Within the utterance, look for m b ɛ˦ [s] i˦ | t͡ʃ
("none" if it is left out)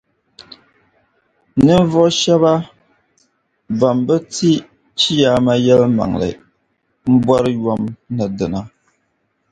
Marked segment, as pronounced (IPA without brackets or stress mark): t